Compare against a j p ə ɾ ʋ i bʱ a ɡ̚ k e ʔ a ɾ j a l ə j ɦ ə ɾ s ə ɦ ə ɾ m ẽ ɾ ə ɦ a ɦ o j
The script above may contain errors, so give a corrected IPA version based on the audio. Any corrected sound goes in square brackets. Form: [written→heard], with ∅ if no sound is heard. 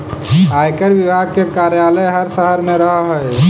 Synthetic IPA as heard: a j [p→k] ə ɾ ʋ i bʱ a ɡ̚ k e [ʔ→k] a ɾ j a l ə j ɦ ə ɾ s ə ɦ ə ɾ m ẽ ɾ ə ɦ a ɦ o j